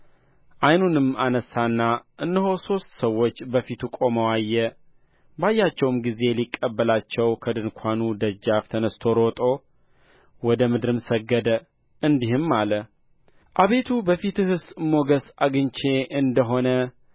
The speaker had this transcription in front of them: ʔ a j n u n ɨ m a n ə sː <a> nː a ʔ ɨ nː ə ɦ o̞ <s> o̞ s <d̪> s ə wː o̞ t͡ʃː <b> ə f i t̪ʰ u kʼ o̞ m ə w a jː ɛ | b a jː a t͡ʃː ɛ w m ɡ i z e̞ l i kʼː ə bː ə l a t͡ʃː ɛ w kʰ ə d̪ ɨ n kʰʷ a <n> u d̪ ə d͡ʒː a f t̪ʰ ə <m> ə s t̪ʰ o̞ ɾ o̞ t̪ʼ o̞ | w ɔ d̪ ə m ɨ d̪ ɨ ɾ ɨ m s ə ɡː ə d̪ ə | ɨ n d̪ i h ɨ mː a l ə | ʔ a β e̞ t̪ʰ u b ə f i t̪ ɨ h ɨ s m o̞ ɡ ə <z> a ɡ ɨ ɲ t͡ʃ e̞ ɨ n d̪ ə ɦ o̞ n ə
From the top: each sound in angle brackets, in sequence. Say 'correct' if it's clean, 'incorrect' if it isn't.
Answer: correct, correct, incorrect: t̪, correct, correct, incorrect: n, incorrect: s

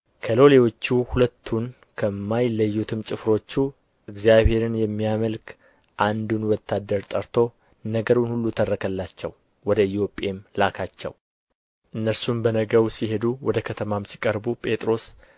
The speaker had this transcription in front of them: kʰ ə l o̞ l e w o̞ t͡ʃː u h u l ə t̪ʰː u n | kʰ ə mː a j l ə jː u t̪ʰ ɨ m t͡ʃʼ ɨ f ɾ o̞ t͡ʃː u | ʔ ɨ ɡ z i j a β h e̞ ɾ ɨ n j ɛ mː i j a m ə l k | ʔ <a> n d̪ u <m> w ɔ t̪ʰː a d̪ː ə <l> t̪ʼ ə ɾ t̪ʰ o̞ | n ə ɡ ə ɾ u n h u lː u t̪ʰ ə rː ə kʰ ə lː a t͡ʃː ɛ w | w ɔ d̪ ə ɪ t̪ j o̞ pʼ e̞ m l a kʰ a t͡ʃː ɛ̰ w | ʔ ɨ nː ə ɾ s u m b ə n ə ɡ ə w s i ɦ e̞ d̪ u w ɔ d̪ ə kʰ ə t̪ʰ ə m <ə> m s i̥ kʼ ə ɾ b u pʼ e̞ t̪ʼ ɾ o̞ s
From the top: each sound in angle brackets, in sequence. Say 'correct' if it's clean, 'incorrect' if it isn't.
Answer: correct, incorrect: n, incorrect: ɾ, incorrect: a

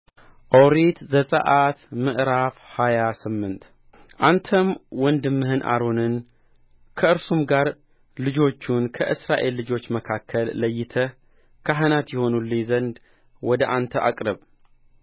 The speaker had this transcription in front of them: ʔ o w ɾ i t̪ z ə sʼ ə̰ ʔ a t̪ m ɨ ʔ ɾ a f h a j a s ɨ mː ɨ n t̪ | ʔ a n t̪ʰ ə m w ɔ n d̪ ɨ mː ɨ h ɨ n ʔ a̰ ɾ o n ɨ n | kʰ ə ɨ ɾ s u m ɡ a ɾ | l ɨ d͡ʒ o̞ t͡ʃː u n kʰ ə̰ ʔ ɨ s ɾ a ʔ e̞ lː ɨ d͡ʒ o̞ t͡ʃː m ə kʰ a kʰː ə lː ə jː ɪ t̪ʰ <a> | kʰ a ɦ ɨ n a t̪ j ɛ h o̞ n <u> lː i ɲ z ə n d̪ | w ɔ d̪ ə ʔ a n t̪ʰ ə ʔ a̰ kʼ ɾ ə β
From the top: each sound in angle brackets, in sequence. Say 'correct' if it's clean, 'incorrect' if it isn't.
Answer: incorrect: ə, correct

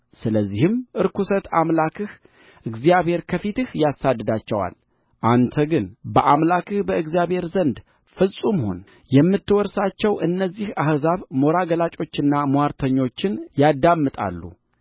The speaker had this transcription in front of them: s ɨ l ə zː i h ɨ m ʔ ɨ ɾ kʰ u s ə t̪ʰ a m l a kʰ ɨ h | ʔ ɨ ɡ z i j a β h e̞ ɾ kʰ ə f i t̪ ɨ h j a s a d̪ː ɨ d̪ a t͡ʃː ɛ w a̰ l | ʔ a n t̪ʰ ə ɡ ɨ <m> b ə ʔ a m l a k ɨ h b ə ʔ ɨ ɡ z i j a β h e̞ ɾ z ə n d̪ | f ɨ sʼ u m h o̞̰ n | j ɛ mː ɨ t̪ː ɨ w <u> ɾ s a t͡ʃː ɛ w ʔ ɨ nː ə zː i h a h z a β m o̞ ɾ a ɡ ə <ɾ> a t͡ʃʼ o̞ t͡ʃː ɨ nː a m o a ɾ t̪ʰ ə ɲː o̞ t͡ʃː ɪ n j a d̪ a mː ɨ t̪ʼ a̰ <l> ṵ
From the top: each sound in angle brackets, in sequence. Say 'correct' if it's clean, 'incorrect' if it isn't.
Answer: incorrect: n, incorrect: ɔ, incorrect: l, incorrect: lː

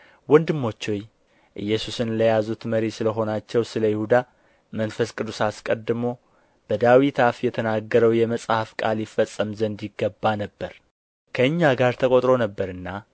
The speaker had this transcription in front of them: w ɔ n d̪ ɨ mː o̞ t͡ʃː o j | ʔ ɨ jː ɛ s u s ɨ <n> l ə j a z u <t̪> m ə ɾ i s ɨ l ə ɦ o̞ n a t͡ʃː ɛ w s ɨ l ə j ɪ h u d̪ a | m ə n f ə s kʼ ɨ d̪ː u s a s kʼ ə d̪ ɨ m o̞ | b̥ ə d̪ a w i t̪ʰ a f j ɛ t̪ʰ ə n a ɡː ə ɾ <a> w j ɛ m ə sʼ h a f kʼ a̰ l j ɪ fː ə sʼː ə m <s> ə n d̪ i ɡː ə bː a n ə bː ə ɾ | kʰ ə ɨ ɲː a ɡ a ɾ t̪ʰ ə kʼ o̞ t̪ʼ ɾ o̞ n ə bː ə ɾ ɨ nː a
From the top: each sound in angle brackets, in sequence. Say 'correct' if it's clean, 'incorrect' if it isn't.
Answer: correct, correct, incorrect: ə, incorrect: z

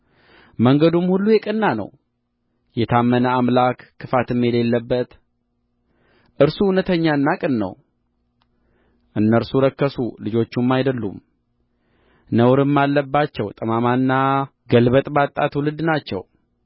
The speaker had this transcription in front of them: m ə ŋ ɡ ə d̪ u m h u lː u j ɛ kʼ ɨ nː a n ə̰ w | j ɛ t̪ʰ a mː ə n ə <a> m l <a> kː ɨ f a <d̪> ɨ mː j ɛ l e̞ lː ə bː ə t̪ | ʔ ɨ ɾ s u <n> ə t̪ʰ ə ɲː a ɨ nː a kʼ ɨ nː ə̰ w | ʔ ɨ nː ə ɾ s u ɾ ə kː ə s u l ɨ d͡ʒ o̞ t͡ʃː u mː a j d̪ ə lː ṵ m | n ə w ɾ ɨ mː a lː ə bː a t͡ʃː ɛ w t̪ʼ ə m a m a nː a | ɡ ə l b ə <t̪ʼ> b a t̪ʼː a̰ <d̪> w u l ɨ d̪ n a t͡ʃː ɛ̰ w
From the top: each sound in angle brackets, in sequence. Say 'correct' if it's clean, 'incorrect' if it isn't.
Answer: correct, correct, incorrect: t̪, correct, correct, incorrect: t̪

